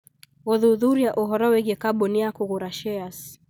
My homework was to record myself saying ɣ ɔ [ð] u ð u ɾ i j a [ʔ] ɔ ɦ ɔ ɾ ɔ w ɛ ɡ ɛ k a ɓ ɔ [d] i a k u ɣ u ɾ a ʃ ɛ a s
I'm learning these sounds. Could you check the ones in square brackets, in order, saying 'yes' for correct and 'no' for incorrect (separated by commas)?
yes, yes, no